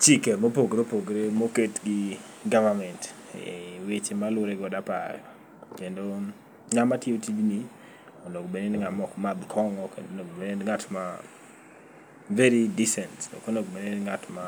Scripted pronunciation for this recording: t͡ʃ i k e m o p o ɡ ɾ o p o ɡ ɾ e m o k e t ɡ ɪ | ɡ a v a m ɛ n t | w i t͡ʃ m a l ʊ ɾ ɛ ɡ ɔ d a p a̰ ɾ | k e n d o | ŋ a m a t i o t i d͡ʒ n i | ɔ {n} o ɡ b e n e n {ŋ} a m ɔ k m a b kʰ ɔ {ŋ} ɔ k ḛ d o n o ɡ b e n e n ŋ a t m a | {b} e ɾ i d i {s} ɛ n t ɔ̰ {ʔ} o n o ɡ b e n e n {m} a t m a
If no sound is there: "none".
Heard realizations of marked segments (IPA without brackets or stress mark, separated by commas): n, ŋ, ŋ, v, s, k, ŋ